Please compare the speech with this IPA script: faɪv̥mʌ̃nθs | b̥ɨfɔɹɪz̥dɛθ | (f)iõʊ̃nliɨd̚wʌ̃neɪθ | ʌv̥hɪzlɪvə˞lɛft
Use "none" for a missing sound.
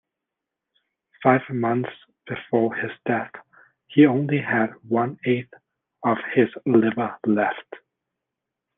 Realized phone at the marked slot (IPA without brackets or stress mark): h